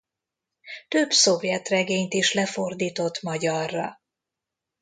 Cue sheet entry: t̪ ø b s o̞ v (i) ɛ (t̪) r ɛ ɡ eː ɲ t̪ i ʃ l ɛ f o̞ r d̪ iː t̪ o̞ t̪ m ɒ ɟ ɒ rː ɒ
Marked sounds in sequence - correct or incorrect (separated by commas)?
incorrect, correct